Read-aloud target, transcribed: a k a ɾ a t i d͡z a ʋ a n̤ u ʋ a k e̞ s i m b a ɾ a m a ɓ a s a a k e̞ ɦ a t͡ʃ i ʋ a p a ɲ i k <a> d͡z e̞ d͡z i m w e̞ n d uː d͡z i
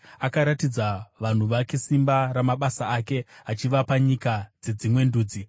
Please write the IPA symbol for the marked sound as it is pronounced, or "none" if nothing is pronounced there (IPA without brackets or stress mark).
a